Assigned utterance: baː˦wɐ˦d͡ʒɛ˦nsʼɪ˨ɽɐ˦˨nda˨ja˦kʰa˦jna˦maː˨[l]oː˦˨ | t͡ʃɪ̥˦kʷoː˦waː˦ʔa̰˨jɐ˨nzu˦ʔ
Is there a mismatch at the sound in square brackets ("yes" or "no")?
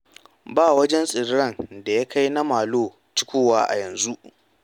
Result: no